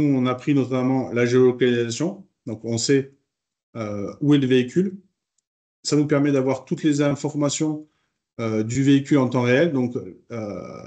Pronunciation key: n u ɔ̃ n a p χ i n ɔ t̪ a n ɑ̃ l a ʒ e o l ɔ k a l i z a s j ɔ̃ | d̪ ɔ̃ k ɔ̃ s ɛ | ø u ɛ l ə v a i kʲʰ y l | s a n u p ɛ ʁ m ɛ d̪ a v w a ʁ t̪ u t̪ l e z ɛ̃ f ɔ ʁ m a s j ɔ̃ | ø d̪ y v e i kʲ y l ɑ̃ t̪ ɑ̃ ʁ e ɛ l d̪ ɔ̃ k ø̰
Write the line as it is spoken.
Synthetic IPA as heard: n u ɔ̃ n a p χ i n ɔ t̪ a m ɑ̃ l a ʒ e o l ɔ k a l i z a s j ɔ̃ | d̪ ɔ̃ k ɔ̃ s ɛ | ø u ɛ l ə v e i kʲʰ y l | s a n u p ɛ ʁ m ɛ d̪ a v w a ʁ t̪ u t̪ l e z ɛ̃ f ɔ ʁ m a s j ɔ̃ | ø d̪ y v e i kʲ y l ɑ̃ t̪ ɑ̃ ʁ e ɛ l d̪ ɔ̃ k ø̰